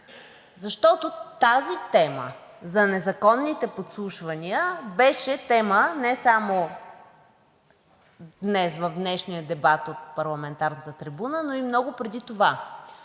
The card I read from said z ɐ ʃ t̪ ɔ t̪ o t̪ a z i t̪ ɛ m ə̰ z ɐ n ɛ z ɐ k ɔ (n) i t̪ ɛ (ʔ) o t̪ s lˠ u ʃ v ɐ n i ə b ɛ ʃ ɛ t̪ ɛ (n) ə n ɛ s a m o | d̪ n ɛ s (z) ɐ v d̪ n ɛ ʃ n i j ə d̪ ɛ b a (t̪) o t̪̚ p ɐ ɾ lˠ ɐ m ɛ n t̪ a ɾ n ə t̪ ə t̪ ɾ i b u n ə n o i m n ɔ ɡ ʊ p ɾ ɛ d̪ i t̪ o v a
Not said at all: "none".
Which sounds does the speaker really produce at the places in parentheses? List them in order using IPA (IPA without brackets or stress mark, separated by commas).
nː, p, m, v, t̪